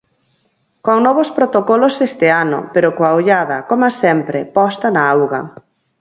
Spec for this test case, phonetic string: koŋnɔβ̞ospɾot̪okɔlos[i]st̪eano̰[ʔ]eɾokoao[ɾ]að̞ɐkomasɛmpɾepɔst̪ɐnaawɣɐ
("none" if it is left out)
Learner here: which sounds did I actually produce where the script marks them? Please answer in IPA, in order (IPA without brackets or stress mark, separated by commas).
e, p, ʎ